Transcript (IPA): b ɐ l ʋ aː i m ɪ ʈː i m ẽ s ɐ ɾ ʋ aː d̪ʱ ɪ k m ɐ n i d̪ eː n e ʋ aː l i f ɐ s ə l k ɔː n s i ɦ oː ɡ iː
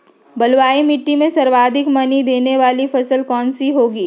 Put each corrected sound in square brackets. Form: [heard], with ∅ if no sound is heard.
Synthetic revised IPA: b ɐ l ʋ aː i m ɪ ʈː i m ẽ s ɐ ɾ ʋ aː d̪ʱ ɪ k m ɐ n i d̪ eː n e ʋ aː l i f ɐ s ə l k ɔː n s i ɦ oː ɡ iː